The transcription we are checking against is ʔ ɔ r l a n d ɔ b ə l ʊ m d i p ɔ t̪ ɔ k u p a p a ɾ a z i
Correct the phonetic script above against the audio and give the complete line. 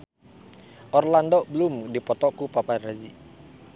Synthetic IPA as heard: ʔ ɔ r l a n d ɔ b ə l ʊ m d i p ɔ t̪ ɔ k u p a p a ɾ a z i